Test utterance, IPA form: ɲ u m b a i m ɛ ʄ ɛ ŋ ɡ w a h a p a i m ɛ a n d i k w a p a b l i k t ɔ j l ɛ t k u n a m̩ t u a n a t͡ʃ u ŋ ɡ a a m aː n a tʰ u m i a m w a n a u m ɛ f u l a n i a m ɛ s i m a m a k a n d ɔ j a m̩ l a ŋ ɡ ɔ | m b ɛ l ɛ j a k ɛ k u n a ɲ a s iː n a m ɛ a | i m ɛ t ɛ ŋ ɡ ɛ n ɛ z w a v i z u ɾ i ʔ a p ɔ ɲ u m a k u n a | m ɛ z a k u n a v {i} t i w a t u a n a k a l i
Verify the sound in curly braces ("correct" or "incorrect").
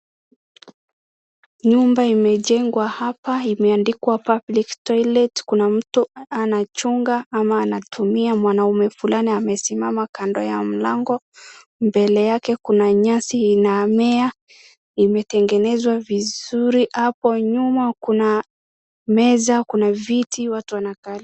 correct